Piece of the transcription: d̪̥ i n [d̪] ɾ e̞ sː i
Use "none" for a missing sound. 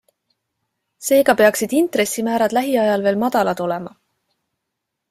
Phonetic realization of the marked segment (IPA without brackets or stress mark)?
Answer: t̪